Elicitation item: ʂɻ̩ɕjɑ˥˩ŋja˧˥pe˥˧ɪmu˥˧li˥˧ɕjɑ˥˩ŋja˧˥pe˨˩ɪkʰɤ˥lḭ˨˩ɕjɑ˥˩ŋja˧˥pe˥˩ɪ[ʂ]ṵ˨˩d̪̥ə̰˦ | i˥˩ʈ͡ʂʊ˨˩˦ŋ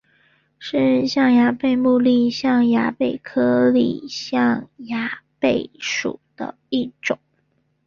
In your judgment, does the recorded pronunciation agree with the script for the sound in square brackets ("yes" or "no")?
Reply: yes